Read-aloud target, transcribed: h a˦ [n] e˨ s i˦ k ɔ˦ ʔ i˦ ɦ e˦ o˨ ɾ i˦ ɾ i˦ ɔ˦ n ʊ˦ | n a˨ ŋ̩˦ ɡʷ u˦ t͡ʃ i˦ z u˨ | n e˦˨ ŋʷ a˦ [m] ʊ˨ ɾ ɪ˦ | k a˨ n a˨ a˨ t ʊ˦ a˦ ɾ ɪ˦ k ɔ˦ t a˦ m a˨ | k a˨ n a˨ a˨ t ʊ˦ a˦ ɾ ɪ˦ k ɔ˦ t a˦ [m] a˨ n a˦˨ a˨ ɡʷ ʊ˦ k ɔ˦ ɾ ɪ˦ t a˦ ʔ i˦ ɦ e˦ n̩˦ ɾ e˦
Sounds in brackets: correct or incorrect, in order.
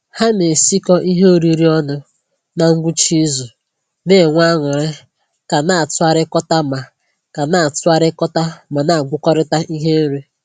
correct, incorrect, correct

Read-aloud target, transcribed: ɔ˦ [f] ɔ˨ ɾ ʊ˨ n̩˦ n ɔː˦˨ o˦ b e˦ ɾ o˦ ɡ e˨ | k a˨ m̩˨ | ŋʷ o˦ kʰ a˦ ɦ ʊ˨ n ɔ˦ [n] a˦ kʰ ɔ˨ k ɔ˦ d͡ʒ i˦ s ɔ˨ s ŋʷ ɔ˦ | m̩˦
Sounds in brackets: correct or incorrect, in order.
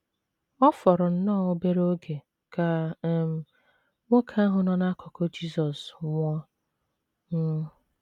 correct, correct

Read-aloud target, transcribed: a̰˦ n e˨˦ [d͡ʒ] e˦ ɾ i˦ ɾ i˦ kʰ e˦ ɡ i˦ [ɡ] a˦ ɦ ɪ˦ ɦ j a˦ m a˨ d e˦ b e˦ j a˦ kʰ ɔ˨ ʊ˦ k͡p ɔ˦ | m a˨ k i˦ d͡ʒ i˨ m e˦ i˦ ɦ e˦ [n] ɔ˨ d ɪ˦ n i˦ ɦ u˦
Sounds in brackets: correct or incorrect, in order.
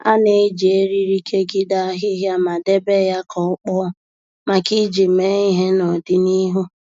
correct, incorrect, correct

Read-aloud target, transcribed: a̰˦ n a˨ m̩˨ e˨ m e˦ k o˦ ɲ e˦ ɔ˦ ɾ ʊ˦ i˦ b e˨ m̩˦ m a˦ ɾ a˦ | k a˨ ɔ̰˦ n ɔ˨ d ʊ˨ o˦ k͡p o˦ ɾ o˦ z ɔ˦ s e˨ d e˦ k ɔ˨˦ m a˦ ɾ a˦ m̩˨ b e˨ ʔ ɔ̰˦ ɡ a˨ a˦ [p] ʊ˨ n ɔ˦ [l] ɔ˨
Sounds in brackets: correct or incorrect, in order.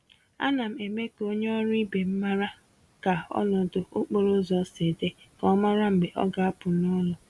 correct, correct

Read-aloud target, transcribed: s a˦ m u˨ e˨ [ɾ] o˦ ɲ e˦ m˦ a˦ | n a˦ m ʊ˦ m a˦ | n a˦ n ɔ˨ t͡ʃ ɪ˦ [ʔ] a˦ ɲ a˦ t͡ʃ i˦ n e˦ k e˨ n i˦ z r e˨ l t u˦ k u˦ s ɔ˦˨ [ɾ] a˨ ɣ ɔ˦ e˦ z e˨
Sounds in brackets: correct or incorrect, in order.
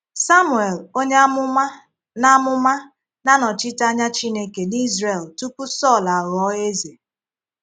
incorrect, incorrect, incorrect

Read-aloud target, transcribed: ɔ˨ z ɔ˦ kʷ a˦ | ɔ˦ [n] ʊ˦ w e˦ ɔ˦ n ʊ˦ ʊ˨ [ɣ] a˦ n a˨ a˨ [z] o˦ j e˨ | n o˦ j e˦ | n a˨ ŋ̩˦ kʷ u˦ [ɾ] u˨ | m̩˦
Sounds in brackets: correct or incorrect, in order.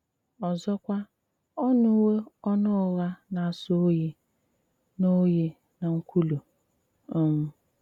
correct, correct, incorrect, incorrect

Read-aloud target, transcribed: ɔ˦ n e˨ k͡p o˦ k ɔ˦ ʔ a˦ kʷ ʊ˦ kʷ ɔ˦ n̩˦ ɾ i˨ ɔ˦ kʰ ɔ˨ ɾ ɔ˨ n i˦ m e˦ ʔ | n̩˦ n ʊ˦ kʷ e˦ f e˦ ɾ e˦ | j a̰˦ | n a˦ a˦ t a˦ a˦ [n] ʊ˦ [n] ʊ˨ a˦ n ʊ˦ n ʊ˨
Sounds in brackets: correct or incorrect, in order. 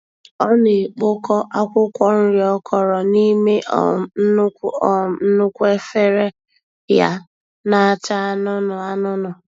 correct, correct

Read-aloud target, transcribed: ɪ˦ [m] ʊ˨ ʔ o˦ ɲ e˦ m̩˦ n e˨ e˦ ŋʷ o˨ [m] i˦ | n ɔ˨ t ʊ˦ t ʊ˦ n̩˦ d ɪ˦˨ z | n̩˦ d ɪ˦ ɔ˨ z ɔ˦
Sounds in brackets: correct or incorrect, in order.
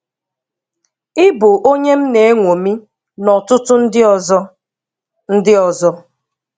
incorrect, correct

